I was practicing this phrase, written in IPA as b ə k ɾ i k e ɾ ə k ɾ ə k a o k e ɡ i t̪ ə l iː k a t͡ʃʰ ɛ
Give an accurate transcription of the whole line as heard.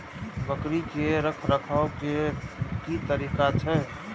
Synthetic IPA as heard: b ə k ɾ i k e ɾ ə kʰ ɾ ə kʰ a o k e k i t̪ ə ɾ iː k a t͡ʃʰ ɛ